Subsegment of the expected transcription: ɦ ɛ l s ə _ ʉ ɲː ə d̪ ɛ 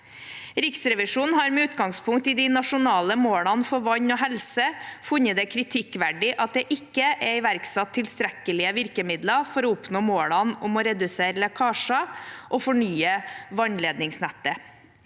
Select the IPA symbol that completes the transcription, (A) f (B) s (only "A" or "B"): A